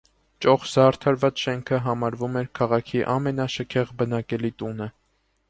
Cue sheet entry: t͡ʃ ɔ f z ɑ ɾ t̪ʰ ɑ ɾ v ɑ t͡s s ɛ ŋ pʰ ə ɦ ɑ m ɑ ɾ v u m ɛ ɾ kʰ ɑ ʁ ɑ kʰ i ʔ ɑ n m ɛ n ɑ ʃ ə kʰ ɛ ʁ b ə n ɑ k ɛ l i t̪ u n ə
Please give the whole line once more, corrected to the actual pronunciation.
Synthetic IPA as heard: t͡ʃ ɔ χ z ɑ ɾ t̪ʰ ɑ ɾ v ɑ t͡s ʃ ɛ ŋ kʰ ə ɦ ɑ m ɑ ɾ v u m ɛ ɾ kʰ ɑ ʁ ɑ kʰ i ʔ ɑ m ɛ n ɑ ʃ ə kʰ ɛ ʁ b ə n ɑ k ɛ l i t̪ u n ə